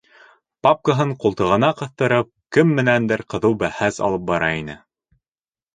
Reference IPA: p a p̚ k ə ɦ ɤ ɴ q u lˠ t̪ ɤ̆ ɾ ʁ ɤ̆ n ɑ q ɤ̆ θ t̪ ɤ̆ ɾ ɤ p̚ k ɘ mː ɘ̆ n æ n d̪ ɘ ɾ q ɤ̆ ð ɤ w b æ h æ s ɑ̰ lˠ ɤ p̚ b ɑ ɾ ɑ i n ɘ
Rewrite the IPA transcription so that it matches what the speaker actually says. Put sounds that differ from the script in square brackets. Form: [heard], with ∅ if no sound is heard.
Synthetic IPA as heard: p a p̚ k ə ɦ ɤ ɴ q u lˠ t̪ ɤ̆ [∅] ʁ ɤ̆ n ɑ q ɤ̆ θ t̪ ɤ̆ ɾ ɤ p̚ k ɘ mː ɘ̆ n æ n d̪ ɘ ɾ q ɤ̆ ð ɤ w b æ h æ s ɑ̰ lˠ ɤ p̚ b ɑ ɾ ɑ i n ɘ